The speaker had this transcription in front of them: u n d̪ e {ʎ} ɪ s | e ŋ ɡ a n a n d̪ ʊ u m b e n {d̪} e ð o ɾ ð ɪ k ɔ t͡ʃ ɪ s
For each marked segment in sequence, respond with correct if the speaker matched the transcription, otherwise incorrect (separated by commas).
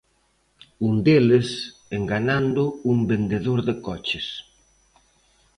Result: incorrect, correct